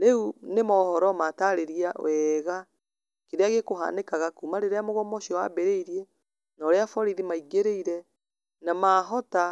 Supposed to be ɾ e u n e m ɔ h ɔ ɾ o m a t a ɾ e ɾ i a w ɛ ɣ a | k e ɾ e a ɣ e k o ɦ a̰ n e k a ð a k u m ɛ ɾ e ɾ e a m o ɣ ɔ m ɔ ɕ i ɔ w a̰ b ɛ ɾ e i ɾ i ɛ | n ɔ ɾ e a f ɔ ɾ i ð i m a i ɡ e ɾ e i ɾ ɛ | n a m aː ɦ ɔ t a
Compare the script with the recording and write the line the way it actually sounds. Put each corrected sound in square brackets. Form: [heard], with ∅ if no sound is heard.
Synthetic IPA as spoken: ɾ e u n e m ɔ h ɔ ɾ [ɔ] m a t a ɾ e ɾ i a w ɛ ɣ a | k e ɾ e a ɣ e k o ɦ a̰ n e k a [ɣ] a k u m [a] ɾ e ɾ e a m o ɣ ɔ m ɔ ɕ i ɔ w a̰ b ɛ ɾ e i ɾ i ɛ | n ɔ ɾ e a f ɔ ɾ i ð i m a i ɡ e ɾ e i ɾ ɛ | n a m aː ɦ ɔ t a